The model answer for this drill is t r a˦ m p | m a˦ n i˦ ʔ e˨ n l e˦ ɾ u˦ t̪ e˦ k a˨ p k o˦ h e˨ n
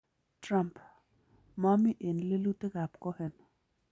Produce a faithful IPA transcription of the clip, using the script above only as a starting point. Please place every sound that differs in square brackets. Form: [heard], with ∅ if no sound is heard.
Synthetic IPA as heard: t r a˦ m p | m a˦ [m] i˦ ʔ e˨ n l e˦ [l] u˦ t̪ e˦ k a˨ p k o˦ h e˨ n